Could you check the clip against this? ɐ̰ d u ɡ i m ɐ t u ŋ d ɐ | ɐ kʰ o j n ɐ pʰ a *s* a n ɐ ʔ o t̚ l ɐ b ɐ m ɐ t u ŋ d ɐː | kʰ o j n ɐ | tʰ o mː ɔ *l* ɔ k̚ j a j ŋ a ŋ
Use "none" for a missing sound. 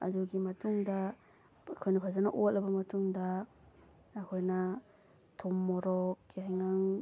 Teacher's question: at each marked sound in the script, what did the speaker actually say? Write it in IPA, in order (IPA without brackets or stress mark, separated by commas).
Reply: z, ɾ